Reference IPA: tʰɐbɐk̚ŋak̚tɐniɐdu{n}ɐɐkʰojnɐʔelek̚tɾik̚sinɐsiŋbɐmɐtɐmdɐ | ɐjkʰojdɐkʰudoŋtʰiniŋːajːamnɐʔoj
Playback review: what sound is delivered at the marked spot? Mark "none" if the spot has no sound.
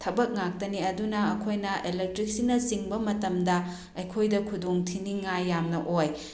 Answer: n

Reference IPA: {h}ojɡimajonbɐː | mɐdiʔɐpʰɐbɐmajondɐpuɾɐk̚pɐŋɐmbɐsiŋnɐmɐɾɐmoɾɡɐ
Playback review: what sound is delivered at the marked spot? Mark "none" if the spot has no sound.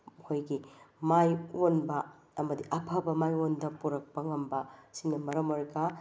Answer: h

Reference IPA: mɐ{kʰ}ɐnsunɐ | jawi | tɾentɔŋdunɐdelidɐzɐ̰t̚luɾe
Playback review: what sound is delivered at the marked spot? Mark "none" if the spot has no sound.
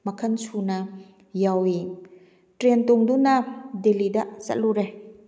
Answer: kʰ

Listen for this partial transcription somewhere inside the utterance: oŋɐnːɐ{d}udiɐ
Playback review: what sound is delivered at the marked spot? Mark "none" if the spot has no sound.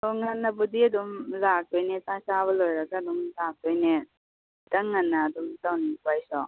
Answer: b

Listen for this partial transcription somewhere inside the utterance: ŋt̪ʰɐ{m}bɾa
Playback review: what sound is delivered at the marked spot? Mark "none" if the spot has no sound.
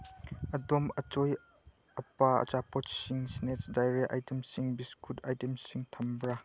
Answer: m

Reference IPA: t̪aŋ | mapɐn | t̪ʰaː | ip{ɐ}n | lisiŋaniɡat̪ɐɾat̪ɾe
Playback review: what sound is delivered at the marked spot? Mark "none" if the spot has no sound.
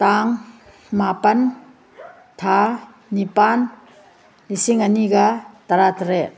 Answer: a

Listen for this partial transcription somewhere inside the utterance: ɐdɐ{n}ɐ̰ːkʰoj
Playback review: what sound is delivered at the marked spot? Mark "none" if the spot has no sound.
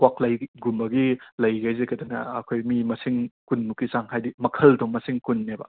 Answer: n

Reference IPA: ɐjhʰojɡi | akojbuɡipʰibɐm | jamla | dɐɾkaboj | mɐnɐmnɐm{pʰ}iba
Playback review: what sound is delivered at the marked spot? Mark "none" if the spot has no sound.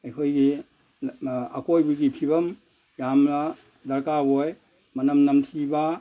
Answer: tʰ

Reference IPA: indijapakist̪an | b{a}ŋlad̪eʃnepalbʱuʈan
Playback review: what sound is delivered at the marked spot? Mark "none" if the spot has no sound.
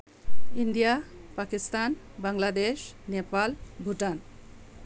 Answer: a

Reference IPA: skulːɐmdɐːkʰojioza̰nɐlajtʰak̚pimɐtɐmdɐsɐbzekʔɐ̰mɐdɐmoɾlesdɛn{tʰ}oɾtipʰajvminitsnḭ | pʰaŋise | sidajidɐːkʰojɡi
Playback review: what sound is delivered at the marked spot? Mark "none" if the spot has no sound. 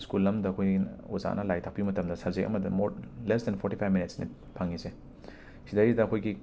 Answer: pʰ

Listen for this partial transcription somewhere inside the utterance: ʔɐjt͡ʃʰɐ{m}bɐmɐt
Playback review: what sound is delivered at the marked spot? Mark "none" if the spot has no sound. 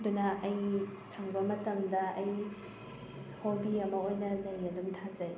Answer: ŋ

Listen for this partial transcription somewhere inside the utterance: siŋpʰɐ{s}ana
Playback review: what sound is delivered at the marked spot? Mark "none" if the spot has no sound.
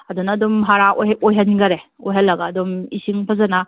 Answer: z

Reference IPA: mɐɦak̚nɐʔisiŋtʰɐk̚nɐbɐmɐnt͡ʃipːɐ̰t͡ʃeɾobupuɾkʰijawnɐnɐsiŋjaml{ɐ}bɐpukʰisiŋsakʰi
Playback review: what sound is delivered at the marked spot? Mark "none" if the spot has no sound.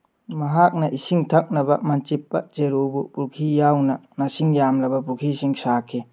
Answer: ɐ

